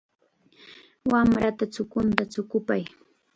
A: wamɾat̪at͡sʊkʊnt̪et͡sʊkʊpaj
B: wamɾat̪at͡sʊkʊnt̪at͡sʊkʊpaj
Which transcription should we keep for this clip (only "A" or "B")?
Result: B